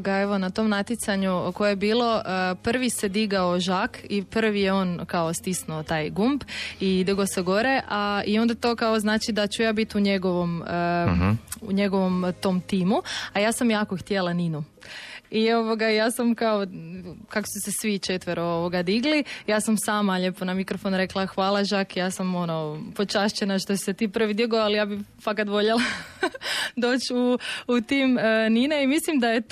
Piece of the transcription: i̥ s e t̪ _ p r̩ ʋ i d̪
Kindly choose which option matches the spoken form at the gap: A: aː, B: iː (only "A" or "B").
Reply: B